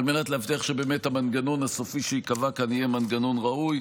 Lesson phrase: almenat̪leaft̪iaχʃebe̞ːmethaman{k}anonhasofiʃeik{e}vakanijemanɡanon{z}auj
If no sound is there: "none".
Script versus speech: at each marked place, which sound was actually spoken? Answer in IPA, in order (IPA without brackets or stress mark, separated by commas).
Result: ɡ, a, ʁ